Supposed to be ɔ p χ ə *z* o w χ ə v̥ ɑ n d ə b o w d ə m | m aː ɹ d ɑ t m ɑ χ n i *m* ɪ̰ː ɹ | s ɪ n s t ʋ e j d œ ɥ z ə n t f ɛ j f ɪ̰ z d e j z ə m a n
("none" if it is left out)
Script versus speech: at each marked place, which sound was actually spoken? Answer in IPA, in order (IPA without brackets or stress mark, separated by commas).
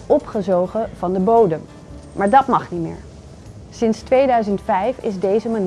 z, m